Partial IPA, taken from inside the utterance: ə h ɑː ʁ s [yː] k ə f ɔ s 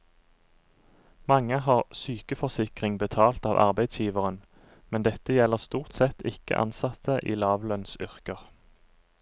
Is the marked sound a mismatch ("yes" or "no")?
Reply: no